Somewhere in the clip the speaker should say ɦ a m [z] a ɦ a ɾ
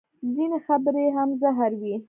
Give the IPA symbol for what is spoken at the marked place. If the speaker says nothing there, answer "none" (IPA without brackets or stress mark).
z